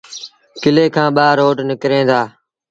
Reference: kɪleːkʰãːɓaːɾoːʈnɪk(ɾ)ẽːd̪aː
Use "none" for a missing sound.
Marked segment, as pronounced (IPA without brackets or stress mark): ɾ